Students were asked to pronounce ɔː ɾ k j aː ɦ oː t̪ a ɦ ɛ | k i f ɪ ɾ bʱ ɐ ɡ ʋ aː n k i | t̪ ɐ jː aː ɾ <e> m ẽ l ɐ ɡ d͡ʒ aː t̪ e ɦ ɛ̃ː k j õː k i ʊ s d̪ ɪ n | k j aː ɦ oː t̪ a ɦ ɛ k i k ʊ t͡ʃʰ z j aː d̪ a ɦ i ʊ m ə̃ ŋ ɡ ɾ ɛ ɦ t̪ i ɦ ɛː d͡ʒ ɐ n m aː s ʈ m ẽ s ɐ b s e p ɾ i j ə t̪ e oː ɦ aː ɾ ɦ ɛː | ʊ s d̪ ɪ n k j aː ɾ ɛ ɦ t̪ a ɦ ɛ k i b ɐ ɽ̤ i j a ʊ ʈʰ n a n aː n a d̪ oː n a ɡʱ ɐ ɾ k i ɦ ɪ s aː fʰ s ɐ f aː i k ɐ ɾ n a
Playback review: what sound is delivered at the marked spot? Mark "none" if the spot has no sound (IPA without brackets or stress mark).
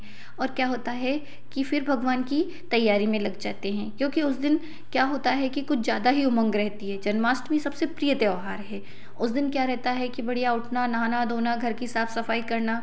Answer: i